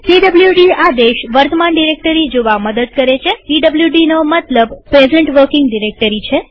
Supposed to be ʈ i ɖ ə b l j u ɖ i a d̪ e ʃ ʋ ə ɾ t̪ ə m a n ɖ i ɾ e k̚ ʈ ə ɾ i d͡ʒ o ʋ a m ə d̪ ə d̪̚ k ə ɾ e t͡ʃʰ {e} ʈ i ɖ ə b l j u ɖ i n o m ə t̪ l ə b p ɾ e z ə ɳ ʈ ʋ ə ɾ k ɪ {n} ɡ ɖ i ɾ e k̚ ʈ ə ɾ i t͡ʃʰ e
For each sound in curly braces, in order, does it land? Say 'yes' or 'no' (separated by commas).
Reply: yes, no